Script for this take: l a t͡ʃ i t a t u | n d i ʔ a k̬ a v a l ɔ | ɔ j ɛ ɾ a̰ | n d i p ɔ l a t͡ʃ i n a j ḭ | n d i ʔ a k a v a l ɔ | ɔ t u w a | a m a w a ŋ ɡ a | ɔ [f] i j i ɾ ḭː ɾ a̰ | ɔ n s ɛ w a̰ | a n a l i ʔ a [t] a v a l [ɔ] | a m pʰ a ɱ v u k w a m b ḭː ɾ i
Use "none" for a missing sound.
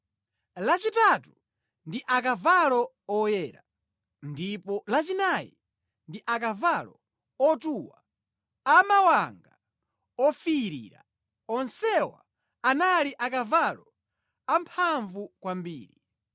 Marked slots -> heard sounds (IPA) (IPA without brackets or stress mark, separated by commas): f, k, ɔ